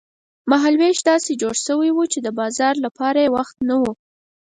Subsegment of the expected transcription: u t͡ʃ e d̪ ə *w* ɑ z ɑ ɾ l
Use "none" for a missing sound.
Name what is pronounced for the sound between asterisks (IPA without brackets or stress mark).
b